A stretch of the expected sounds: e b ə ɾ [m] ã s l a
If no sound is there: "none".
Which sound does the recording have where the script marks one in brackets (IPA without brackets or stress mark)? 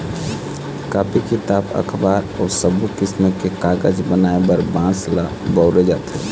b